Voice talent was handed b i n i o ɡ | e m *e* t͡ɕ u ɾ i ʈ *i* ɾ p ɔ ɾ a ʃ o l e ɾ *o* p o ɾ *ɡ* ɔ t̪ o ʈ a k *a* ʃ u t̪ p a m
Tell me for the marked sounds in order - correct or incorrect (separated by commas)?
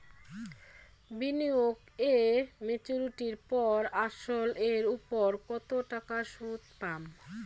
correct, correct, incorrect, incorrect, correct